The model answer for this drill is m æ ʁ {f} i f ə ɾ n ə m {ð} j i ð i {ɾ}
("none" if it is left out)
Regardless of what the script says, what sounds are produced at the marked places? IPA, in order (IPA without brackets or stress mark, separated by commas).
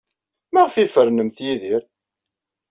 f, θ, ɾ